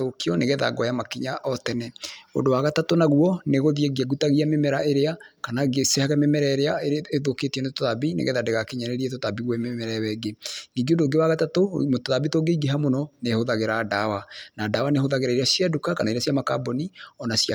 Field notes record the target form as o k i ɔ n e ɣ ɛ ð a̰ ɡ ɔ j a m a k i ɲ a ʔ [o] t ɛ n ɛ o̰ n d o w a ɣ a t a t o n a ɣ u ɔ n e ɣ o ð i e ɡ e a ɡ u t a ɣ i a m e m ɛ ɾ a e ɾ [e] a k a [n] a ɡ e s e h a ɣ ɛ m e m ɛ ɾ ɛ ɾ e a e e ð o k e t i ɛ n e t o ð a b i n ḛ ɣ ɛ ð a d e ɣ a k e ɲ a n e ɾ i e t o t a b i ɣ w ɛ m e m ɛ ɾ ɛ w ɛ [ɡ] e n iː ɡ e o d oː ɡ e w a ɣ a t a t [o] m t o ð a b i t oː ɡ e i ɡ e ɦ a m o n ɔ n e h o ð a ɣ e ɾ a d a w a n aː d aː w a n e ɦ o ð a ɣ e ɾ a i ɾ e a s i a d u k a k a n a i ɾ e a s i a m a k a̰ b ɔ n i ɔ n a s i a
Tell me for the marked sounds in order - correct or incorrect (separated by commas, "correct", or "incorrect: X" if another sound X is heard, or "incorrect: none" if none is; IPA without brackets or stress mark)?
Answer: incorrect: ɔ, correct, correct, correct, correct